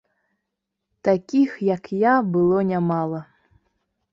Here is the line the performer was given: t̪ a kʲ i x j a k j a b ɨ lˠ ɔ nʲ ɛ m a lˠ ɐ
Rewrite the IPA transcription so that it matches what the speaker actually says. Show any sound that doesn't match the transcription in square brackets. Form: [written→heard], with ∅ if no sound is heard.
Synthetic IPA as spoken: t̪ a kʲ i x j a k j a b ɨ lˠ ɔ nʲ [ɛ→a] m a lˠ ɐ

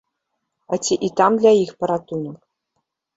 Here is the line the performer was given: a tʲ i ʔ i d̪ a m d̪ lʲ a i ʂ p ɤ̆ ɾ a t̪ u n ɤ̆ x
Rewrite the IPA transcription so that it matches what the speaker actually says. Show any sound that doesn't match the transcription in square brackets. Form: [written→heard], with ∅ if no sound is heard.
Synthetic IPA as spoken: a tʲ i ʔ i [d̪→t̪] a m d̪ lʲ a i [ʂ→x] p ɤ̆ ɾ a t̪ u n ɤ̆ [x→k]

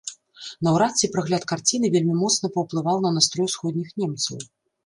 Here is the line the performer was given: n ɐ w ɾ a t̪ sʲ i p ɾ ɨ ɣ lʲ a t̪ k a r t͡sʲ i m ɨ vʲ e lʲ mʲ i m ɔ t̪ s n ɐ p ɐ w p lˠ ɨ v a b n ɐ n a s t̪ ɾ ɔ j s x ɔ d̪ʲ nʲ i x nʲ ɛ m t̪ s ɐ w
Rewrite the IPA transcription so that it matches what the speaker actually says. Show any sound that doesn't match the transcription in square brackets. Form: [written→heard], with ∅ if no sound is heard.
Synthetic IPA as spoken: n ɐ w ɾ a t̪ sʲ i p ɾ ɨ ɣ lʲ a t̪ k a r t͡sʲ i [m→n] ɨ vʲ e lʲ mʲ i m ɔ t̪ s n ɐ p ɐ w p lˠ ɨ v a [b→w] n ɐ n a s t̪ ɾ ɔ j s x ɔ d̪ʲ nʲ i x nʲ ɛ m t̪ s ɐ w

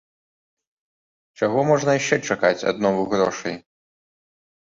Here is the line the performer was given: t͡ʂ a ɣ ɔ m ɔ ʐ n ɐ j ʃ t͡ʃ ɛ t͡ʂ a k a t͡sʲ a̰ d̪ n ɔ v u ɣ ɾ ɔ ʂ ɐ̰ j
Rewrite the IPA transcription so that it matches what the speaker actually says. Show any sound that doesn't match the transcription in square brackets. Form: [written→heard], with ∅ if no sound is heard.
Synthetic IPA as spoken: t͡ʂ a ɣ ɔ m ɔ ʐ n ɐ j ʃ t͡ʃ ɛ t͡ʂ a k a t͡sʲ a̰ d̪ n ɔ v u ɣ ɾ ɔ ʂ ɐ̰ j

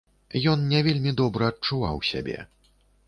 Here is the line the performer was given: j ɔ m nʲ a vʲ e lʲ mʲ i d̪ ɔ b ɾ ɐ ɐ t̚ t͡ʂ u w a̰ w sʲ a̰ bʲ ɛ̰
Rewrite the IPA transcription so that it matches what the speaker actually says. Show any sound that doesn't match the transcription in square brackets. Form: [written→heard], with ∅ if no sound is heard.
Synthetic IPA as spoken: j ɔ [m→n] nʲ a vʲ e lʲ mʲ i d̪ ɔ b ɾ ɐ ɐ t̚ t͡ʂ u [w→v] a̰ w sʲ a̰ bʲ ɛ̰

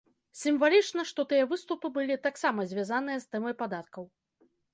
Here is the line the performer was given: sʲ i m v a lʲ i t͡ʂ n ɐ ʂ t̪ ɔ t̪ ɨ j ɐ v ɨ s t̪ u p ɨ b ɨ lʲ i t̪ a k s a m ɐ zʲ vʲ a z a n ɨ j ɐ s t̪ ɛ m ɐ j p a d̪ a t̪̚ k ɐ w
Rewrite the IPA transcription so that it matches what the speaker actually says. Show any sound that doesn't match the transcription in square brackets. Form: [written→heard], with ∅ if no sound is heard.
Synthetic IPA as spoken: sʲ i m v a lʲ i t͡ʂ n ɐ ʂ t̪ ɔ t̪ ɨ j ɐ v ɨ s t̪ u p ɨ b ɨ lʲ i t̪ a k s a m ɐ zʲ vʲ a z a n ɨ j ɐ s t̪ ɛ m ɐ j p a d̪ a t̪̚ k ɐ w

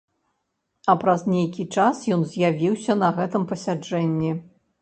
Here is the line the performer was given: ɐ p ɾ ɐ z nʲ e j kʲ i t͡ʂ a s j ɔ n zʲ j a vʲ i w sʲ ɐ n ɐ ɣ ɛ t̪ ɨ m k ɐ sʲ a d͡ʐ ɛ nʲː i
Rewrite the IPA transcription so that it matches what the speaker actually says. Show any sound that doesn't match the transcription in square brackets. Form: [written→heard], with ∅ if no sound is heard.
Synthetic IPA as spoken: ɐ p ɾ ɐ z nʲ e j kʲ i t͡ʂ a s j ɔ n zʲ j a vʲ i w sʲ ɐ n ɐ ɣ ɛ t̪ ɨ m [k→p] ɐ sʲ a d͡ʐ ɛ nʲː i

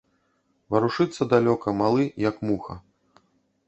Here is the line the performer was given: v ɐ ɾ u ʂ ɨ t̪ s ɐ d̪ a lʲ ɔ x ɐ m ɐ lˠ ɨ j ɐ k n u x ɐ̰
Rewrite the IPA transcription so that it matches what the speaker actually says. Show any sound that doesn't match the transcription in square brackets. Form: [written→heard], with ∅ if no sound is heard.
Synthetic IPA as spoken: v ɐ ɾ u ʂ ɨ t̪ [s→sː] ɐ d̪ a lʲ ɔ [x→k] ɐ m [ɐ→a] lˠ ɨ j ɐ k [n→m] u x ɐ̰

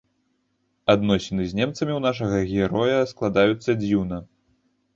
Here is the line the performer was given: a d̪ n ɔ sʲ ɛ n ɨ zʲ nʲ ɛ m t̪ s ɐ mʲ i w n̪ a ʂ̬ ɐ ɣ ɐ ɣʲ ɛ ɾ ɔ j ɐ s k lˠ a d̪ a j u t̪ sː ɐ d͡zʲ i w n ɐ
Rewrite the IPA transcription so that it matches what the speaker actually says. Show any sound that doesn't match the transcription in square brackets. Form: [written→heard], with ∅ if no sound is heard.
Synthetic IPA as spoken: a d̪ n ɔ sʲ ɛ n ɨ zʲ nʲ ɛ m t̪ s ɐ mʲ i w n̪ a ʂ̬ ɐ ɣ ɐ ɣʲ ɛ ɾ ɔ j ɐ s k lˠ a d̪ a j u t̪ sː ɐ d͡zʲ i w n ɐ

